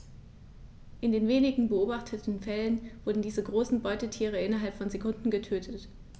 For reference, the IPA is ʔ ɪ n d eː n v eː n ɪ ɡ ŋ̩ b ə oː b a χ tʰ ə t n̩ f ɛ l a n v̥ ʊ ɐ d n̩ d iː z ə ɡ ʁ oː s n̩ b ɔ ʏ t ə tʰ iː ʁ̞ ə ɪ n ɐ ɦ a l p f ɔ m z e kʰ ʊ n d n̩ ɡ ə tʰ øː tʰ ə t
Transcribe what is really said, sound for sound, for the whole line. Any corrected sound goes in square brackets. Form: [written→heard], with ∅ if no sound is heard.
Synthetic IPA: ʔ ɪ n d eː n v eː n ɪ ɡ ŋ̩ b ə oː b a χ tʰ ə t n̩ f ɛ l [a→ə] n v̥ ʊ ɐ d n̩ d iː z ə ɡ ʁ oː s n̩ b ɔ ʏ t ə tʰ iː ʁ̞ ə ɪ n ɐ ɦ a l p f ɔ [m→n] z e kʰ ʊ n d n̩ ɡ ə tʰ øː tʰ ə t